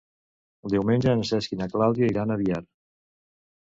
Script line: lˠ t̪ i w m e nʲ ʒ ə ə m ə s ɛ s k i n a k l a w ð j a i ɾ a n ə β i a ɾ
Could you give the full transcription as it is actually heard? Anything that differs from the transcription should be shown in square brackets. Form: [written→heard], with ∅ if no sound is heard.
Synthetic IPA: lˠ [t̪→d̪] i w m e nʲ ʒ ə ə [m→n] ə s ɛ s k i n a k l a w ð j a i ɾ a n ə β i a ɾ